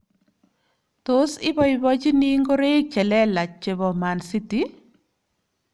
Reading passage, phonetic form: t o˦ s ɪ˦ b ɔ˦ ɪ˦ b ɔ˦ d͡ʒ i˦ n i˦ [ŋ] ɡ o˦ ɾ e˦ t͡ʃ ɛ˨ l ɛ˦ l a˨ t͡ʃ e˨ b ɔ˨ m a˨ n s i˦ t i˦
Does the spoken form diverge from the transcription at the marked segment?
no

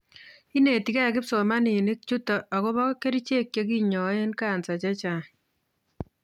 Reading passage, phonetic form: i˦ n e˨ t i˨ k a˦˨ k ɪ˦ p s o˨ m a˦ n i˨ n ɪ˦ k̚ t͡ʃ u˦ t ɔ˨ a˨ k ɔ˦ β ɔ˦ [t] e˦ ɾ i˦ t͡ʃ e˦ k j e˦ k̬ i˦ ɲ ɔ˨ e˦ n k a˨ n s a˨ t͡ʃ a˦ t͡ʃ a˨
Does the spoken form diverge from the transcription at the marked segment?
yes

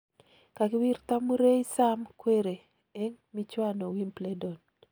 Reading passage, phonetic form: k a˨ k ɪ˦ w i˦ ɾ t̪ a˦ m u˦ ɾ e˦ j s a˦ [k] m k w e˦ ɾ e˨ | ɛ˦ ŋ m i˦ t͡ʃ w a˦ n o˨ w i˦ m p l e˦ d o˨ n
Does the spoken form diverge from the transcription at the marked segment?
yes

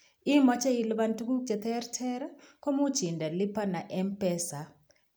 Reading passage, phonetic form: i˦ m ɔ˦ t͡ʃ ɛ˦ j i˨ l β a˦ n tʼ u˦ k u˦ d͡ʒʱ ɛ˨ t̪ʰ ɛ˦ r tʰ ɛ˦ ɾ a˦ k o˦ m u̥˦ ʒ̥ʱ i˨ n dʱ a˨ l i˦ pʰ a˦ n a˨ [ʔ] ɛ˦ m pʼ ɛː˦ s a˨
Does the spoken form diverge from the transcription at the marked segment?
no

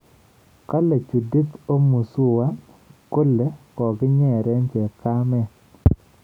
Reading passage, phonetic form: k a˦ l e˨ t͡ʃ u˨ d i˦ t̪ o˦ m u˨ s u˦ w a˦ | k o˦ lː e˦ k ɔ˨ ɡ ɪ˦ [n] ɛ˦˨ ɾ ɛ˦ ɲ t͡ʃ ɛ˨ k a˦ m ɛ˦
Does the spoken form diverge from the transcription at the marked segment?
yes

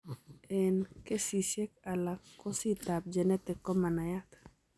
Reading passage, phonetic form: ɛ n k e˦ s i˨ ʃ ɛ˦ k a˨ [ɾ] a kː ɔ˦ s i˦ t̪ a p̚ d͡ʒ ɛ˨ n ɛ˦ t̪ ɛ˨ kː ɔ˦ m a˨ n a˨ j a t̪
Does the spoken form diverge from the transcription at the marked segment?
yes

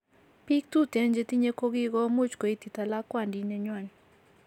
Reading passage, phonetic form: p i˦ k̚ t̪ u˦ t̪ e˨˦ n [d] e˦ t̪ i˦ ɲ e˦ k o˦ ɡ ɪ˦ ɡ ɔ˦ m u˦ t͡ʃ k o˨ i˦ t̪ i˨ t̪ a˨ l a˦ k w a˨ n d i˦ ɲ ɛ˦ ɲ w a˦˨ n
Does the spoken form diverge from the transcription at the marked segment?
yes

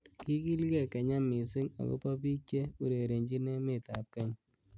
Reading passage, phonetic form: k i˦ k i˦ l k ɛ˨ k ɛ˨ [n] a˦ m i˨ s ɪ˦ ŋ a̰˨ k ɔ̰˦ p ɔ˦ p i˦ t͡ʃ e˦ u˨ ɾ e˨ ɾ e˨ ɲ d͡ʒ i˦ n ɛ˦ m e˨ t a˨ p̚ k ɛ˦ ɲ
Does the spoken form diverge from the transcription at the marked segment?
yes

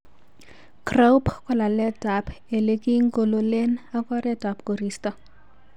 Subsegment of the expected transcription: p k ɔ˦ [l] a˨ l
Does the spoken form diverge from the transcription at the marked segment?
no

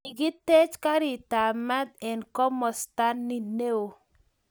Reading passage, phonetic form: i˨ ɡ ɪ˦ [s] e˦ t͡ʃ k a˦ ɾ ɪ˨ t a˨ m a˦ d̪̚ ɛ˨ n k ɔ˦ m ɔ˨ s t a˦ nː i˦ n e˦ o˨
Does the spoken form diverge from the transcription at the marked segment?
yes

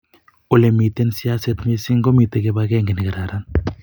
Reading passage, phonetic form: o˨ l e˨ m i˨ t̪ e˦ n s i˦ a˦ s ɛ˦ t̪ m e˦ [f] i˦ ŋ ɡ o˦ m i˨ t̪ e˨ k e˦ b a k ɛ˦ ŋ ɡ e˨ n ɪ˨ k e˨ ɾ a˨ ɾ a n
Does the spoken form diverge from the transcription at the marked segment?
yes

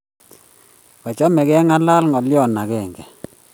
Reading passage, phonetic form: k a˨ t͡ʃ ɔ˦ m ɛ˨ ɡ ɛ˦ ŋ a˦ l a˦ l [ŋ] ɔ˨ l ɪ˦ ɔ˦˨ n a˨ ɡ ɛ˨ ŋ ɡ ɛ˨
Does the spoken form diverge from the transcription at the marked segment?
no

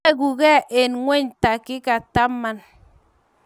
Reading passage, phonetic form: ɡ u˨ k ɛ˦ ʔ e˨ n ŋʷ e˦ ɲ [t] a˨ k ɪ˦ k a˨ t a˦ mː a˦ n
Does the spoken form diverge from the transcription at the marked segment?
no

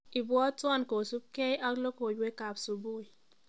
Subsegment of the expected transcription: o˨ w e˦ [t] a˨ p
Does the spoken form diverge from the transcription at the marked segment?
yes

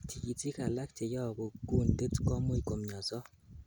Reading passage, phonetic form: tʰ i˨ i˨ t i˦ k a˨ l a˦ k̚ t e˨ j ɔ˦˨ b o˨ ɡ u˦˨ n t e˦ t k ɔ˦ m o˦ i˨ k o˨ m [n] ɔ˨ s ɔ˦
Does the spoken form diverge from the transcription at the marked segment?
yes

